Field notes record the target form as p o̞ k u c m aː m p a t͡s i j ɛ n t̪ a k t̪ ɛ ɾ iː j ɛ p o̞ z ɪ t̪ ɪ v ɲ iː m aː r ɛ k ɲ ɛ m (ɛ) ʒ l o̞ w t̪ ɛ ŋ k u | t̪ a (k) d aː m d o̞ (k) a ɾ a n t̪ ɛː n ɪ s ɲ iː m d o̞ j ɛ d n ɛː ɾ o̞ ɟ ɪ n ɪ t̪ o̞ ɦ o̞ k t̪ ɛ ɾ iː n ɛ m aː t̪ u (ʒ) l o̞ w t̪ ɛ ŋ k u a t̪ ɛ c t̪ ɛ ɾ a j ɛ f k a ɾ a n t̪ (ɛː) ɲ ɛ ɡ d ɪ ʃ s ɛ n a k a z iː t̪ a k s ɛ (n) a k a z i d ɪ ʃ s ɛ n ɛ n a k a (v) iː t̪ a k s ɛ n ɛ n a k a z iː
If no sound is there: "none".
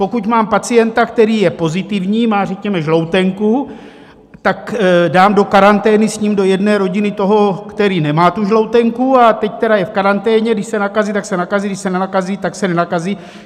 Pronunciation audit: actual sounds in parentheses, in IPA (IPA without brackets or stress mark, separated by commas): ɛ, k, k, ʒ, ɛː, n, z